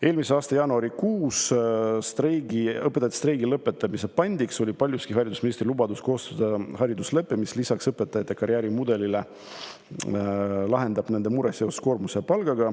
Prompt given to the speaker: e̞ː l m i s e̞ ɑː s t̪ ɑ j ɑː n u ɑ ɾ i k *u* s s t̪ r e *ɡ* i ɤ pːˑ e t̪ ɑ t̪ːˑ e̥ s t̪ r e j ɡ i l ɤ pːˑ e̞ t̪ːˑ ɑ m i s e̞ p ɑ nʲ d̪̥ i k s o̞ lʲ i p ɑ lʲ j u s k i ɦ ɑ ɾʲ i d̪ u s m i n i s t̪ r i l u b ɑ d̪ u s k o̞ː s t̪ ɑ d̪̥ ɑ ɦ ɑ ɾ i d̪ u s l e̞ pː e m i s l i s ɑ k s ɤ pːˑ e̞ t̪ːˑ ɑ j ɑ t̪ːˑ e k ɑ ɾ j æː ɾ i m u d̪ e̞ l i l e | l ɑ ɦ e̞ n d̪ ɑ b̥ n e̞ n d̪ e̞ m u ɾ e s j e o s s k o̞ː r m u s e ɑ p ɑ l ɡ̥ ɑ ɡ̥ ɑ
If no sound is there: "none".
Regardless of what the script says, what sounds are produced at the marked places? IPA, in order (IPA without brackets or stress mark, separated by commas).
uː, ɡ